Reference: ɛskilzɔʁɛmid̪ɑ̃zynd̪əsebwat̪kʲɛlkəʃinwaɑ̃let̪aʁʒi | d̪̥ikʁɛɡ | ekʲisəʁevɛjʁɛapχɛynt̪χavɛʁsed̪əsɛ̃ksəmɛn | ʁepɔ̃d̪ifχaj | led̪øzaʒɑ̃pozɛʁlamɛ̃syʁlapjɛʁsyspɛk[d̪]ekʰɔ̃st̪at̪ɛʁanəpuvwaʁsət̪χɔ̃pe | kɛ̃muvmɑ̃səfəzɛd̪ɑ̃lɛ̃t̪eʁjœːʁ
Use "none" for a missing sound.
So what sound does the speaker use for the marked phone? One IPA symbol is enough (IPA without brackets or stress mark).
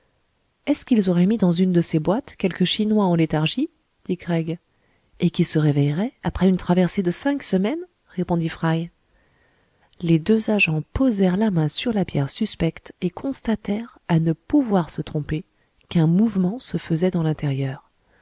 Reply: t̪